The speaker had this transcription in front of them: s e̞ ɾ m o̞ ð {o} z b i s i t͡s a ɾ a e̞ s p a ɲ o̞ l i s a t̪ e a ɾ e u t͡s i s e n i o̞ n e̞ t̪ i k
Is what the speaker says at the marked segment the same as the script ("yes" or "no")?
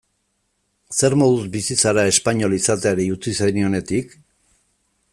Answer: no